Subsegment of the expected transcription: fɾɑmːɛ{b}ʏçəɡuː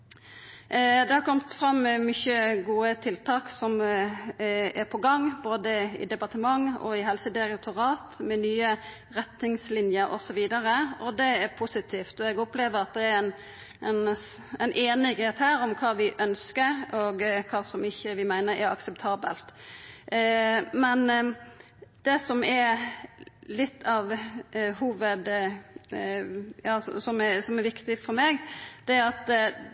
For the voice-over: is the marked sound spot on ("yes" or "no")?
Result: no